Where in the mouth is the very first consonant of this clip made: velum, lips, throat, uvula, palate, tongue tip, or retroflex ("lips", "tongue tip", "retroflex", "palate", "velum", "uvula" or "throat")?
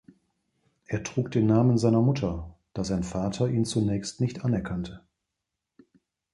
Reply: throat